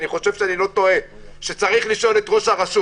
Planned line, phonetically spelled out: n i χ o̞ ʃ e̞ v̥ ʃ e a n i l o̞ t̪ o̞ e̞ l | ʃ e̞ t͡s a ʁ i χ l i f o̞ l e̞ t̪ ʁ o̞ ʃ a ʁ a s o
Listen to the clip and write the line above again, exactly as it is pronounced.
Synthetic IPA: n i χ o̞ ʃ e̞ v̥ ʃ e a n i l o̞ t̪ o̞ e̞ | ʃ e̞ t͡s a ʁ i χ l i ʃ o̞ l e̞ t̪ ʁ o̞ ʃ a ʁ a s u